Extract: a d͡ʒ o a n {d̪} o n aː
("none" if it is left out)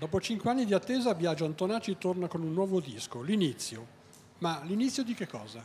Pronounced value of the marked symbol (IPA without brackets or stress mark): t̪